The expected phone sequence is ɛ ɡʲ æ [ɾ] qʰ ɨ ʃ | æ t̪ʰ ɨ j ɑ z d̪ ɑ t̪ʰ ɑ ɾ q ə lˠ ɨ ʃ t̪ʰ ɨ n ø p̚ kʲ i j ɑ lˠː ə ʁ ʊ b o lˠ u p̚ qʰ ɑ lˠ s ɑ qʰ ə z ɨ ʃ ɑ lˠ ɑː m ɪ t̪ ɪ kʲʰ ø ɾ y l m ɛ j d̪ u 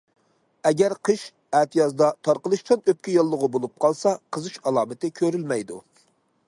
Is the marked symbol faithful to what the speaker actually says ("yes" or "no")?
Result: yes